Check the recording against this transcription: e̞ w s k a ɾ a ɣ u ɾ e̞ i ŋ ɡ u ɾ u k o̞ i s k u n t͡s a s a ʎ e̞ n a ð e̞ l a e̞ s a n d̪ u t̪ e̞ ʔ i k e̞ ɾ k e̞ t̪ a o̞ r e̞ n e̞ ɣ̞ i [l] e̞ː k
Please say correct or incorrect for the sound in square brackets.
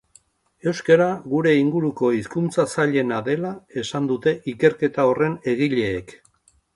incorrect: ʎ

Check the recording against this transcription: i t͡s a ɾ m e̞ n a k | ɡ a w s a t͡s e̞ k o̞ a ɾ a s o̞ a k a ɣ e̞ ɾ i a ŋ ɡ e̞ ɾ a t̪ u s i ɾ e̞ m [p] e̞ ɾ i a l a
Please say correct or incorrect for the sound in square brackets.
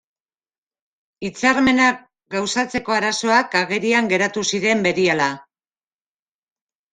incorrect: b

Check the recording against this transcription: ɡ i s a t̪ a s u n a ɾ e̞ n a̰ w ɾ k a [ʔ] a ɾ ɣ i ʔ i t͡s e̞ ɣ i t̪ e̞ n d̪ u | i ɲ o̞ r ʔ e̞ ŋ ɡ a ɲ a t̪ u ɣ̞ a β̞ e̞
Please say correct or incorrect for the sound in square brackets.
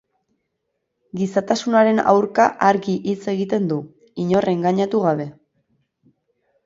correct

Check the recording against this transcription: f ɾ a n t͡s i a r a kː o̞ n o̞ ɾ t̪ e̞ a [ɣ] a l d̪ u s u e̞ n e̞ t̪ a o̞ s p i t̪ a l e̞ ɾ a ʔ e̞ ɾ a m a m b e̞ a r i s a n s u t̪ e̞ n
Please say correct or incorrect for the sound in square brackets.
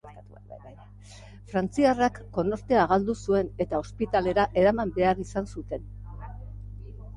correct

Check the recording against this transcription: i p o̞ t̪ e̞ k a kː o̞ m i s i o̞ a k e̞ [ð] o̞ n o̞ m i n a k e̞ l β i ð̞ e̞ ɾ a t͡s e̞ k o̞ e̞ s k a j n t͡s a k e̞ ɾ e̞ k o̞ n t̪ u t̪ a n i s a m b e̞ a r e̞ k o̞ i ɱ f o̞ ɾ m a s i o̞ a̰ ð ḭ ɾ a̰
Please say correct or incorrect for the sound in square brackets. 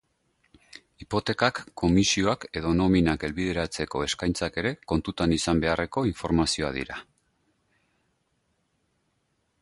correct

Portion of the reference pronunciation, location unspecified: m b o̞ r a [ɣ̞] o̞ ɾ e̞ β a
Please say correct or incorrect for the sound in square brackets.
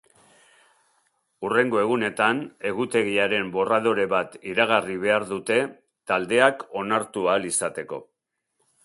incorrect: ð̞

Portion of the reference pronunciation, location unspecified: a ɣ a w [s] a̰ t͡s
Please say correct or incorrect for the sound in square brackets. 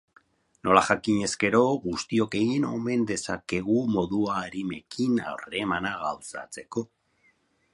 correct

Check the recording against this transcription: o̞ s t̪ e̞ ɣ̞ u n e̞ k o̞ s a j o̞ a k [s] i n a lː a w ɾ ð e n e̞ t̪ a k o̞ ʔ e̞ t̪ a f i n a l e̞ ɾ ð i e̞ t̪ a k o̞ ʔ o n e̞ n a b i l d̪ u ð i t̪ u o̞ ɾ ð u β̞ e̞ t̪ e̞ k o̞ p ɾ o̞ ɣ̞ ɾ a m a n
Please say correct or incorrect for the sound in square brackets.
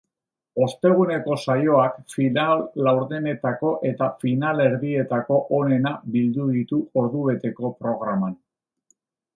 incorrect: f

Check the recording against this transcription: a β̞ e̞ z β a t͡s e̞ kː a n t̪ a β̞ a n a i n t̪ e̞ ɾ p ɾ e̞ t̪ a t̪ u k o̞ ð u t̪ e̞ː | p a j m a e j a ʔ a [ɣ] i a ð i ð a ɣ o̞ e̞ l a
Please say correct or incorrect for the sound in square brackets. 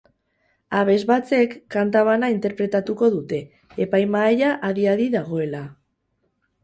incorrect: ð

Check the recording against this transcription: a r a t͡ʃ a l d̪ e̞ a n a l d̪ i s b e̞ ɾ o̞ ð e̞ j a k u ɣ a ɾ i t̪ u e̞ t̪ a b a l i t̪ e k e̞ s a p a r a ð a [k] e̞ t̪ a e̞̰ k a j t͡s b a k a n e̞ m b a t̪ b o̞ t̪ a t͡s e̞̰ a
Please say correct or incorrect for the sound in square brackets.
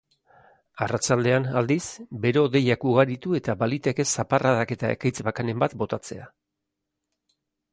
correct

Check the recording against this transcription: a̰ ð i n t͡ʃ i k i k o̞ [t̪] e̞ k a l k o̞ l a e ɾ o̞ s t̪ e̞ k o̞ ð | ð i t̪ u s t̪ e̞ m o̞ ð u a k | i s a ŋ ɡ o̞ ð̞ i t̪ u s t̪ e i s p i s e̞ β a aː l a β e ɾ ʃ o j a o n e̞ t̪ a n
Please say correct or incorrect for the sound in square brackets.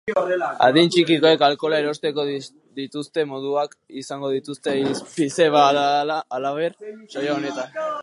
incorrect: none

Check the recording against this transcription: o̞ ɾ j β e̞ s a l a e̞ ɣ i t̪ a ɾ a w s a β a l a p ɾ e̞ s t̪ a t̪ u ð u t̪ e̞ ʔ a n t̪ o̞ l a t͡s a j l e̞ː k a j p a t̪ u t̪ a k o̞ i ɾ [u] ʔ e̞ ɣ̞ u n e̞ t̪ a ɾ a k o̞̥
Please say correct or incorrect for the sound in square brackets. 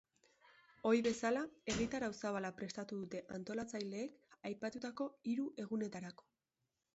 correct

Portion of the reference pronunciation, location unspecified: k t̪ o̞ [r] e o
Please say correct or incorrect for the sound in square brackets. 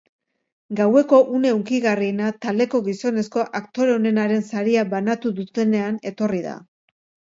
incorrect: ɾ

